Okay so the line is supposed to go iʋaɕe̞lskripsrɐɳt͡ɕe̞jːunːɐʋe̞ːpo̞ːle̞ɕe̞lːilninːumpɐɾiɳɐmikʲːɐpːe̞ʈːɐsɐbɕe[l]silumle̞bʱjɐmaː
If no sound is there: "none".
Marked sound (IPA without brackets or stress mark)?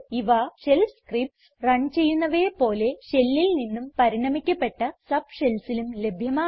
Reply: l